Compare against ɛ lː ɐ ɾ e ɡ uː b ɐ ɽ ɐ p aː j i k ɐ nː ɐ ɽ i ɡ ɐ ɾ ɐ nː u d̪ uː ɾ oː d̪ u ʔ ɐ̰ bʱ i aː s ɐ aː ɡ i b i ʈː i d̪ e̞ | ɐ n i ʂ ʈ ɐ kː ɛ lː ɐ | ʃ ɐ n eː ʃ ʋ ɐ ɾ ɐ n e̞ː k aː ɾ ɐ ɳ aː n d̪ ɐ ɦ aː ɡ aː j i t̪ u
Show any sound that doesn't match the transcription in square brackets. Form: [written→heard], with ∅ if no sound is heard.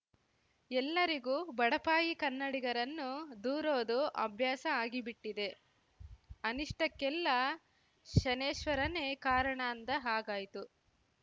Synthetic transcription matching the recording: ɛ lː ɐ ɾ [e→i] ɡ uː b ɐ ɽ ɐ p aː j i k ɐ nː ɐ ɽ i ɡ ɐ ɾ ɐ nː u d̪ uː ɾ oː d̪ u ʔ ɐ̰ bʱ [i→j] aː s ɐ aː ɡ i b i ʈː i d̪ e̞ | ɐ n i ʂ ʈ ɐ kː ɛ lː ɐ | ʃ ɐ n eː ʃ ʋ ɐ ɾ ɐ n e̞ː k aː ɾ ɐ ɳ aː n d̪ ɐ ɦ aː ɡ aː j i t̪ u